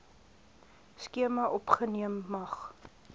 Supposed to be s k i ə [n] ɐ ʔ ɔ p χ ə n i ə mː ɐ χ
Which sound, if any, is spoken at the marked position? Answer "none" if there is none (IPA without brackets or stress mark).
m